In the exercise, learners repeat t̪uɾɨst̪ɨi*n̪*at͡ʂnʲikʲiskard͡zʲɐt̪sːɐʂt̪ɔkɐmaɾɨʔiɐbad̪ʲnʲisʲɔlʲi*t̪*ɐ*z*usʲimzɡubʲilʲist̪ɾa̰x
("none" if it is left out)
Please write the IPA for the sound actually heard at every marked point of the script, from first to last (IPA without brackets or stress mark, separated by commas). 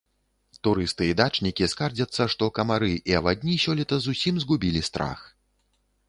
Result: d̪, t̪, z